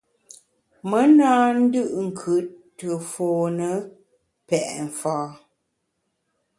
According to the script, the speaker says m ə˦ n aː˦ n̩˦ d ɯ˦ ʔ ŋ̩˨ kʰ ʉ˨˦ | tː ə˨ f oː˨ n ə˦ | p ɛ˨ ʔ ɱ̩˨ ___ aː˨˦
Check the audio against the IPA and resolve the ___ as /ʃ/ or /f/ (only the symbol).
f